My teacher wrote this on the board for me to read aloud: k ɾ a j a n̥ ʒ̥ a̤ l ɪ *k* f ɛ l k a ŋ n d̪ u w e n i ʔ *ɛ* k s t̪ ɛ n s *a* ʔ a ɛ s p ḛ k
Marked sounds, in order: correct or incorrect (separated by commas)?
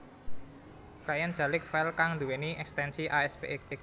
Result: correct, correct, incorrect